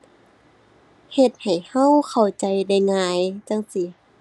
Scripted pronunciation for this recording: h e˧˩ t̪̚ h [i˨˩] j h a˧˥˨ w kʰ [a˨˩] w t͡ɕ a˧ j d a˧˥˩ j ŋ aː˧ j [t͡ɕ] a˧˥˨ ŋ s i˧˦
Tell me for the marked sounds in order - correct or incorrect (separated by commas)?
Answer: incorrect, correct, correct